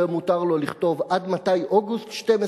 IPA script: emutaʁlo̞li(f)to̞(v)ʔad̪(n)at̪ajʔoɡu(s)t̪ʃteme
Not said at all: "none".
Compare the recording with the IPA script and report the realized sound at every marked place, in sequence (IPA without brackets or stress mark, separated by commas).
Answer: χ, v, m, s